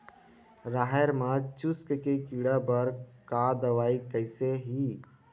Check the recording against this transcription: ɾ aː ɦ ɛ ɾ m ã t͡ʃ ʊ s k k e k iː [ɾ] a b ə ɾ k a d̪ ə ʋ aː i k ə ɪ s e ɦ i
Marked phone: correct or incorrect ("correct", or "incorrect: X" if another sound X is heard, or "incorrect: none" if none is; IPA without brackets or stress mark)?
incorrect: ɽ